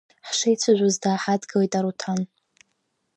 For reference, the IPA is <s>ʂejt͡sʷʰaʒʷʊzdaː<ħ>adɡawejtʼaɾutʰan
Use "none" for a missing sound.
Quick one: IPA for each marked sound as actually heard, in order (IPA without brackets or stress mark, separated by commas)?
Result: ħ, ħ